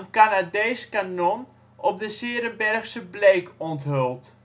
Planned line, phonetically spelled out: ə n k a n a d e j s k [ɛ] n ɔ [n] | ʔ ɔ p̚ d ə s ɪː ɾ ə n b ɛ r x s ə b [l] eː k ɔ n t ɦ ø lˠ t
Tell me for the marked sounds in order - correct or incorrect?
incorrect: a, correct, correct

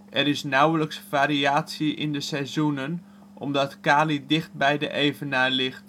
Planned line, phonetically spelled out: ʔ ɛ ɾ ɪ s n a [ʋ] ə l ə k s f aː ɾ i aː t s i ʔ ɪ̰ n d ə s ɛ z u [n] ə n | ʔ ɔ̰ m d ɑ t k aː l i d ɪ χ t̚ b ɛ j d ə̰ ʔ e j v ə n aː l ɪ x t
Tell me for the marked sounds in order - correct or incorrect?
incorrect: w, correct

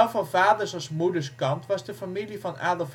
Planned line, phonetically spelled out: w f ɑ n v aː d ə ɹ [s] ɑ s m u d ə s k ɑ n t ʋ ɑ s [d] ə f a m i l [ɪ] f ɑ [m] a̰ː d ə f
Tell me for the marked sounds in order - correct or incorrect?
correct, correct, incorrect: i, incorrect: n

